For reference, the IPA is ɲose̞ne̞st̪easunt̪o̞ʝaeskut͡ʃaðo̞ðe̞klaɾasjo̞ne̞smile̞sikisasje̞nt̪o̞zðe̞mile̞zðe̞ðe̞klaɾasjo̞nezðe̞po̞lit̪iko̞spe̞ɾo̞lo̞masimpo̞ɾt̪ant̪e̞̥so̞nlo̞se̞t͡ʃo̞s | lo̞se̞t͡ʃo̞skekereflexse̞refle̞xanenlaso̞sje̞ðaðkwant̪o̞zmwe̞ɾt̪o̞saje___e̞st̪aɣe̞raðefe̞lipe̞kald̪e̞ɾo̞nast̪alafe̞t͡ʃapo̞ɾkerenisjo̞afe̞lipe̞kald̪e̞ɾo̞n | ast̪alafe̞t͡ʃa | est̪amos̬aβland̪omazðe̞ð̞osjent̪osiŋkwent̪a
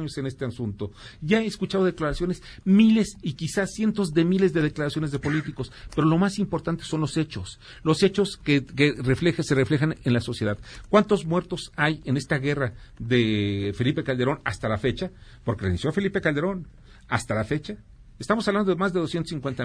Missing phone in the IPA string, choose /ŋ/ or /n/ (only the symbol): n